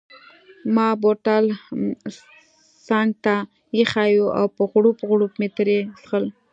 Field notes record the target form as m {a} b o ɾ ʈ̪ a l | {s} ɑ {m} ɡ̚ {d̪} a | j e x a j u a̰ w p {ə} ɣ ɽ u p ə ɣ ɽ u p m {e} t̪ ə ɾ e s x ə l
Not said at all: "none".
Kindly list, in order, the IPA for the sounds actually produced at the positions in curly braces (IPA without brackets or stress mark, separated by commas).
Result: ɑ, s, ŋ, t̪, ə, e